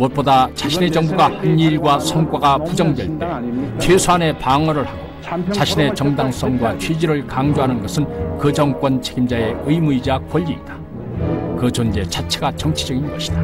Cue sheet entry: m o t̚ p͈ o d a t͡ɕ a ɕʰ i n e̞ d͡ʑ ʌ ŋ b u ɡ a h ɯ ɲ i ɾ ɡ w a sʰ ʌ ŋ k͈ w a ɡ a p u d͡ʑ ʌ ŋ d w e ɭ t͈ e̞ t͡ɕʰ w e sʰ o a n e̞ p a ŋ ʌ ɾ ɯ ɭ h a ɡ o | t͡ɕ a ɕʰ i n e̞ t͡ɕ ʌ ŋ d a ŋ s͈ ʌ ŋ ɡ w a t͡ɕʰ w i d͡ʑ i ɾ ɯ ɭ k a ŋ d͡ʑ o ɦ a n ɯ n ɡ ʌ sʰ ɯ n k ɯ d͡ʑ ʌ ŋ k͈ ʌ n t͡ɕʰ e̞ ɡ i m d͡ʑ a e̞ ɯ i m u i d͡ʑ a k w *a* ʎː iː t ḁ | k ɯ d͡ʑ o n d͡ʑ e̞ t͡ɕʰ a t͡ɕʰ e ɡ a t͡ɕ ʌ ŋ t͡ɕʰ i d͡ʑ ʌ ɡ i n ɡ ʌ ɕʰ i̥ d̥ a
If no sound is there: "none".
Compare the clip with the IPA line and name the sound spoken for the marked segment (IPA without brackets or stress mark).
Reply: ʌ